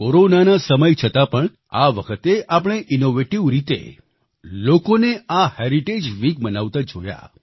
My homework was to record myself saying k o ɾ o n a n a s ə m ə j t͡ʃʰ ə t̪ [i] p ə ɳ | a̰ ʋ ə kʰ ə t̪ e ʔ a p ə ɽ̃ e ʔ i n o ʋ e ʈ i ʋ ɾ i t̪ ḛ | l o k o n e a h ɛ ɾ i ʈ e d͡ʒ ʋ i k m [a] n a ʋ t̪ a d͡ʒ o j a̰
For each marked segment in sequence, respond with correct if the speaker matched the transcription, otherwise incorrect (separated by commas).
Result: incorrect, incorrect